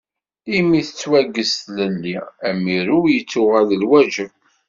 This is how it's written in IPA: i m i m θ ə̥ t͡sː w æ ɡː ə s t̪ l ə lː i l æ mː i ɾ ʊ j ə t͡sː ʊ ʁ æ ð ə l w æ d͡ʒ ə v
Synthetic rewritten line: i m i θ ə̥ t͡sː w æ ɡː ə s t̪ l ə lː i æ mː i ɾ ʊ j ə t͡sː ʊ ʁ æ ð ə l w æ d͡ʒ ə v